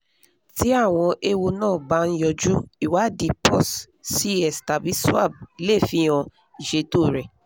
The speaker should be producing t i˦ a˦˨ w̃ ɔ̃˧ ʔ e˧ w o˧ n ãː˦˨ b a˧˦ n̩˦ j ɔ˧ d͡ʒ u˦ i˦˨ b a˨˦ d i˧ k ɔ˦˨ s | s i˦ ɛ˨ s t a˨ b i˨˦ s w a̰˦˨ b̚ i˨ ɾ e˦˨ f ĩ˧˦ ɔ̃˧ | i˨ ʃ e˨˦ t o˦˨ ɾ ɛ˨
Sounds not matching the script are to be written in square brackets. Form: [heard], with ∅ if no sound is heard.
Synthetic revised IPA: t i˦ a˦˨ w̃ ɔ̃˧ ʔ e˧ w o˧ n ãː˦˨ b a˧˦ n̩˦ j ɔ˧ d͡ʒ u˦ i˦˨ [w] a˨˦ d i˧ [p] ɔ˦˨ s | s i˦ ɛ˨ s t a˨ b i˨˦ s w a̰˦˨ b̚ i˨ [l] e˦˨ f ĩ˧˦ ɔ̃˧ | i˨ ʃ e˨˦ t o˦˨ ɾ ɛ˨

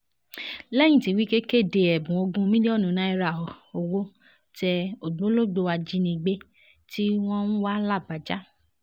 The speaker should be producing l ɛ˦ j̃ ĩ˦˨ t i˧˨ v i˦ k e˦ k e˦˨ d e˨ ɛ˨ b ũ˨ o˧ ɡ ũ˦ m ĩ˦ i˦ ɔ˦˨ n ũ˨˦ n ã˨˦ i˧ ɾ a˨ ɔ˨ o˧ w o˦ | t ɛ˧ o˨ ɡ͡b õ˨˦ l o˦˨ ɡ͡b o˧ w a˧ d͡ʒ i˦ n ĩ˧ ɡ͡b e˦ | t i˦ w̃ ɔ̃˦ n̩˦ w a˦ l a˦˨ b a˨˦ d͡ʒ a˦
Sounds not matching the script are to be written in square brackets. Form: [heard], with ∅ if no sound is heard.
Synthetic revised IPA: l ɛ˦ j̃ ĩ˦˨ t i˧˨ [w] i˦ k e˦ k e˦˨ d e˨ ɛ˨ b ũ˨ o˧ ɡ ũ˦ m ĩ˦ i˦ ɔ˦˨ n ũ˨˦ n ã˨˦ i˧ ɾ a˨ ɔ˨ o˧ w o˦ | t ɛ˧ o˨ ɡ͡b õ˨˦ l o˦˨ ɡ͡b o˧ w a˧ d͡ʒ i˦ n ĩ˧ ɡ͡b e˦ | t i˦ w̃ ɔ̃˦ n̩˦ w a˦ l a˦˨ b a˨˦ d͡ʒ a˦

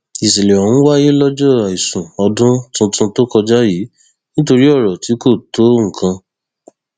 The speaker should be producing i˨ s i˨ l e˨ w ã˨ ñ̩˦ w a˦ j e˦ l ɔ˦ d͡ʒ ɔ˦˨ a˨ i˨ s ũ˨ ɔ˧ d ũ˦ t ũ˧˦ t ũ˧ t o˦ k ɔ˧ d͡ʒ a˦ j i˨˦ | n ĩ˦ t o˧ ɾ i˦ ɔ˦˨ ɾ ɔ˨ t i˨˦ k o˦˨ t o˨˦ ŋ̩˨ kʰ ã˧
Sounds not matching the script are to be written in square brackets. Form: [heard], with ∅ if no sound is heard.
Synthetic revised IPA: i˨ s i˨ l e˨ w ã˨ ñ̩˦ w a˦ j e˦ l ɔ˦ d͡ʒ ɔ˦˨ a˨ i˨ s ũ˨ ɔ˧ d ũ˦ t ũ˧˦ t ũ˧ t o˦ k ɔ˧ d͡ʒ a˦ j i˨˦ | n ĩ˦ t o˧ ɾ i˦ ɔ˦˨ ɾ ɔ˨ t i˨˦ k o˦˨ t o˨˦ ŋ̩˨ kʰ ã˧

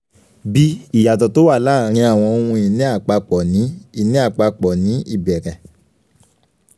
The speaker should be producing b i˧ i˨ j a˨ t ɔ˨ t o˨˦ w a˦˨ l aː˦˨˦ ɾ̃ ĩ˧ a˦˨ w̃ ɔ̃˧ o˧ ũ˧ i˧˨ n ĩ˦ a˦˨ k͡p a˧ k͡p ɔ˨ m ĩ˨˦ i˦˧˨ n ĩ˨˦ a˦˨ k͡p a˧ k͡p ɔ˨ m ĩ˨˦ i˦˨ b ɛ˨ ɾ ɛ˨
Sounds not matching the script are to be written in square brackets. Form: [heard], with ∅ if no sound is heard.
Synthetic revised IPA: b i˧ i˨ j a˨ t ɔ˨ t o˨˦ w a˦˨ l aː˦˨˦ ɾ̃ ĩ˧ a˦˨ w̃ ɔ̃˧ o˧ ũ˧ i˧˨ n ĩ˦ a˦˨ k͡p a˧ k͡p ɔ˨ [n] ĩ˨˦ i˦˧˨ n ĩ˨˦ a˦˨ k͡p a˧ k͡p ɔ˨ [n] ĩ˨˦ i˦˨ b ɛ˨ ɾ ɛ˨

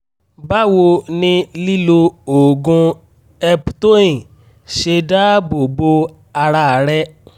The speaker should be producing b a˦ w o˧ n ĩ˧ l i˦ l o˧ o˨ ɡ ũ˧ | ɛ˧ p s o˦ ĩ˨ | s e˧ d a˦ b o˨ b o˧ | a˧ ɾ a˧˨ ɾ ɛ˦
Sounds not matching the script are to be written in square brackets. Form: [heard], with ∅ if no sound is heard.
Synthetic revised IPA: b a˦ w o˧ n ĩ˧ l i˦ l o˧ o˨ ɡ ũ˧ | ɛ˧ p [t] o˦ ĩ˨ | [ʃ] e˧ d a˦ b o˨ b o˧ | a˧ ɾ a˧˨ ɾ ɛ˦

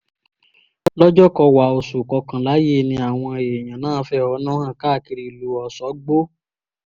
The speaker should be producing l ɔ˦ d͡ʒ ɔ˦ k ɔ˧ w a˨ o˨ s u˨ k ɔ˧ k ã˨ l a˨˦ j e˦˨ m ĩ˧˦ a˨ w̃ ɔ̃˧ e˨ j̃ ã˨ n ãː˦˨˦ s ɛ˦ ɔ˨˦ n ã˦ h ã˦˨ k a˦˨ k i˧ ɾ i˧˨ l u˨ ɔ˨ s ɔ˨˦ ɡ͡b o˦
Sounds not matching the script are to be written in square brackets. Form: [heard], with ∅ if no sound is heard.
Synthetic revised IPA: l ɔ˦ d͡ʒ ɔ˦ k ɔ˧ w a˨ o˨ s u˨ k ɔ˧ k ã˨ l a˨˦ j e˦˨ [n] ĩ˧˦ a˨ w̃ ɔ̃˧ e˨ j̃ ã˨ n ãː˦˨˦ [f] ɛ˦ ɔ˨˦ n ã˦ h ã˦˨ k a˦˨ k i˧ ɾ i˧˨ l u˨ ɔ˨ s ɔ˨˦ ɡ͡b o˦

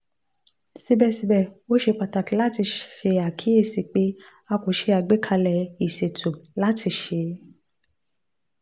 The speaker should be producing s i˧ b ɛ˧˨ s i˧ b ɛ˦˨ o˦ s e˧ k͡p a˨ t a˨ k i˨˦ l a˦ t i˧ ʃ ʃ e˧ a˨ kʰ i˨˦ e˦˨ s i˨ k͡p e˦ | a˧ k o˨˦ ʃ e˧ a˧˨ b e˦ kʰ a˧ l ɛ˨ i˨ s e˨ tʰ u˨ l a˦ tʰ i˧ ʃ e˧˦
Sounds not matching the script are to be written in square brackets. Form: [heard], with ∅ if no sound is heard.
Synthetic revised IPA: s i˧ b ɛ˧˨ s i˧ b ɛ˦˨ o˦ [ʃ] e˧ k͡p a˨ t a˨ k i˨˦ l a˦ t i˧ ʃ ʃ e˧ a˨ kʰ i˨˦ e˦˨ s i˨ k͡p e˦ | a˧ k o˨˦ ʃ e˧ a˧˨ [ɡ͡b] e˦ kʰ a˧ l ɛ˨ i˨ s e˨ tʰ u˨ l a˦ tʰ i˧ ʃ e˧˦

